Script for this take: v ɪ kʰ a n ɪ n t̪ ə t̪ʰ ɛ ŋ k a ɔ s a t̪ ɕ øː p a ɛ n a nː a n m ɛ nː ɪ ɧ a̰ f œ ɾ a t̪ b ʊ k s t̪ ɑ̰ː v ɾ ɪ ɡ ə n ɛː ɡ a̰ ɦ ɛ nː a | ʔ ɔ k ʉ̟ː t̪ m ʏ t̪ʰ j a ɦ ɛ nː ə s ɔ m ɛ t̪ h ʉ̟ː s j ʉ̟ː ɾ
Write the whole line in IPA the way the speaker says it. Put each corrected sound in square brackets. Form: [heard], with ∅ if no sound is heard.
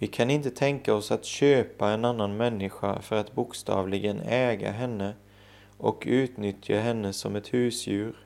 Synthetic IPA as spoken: v ɪ kʰ a n ɪ n t̪ ə t̪ʰ ɛ ŋ k a ɔ s a t̪ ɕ øː p a ɛ n a nː a n m ɛ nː ɪ ɧ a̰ f œ ɾ a t̪ b ʊ k s t̪ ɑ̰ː v [l] ɪ ɡ ə n ɛː ɡ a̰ ɦ ɛ nː [ə] | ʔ ɔ k ʉ̟ː t̪ [n] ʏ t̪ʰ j a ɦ ɛ nː ə s ɔ m ɛ t̪ h ʉ̟ː s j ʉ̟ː ɾ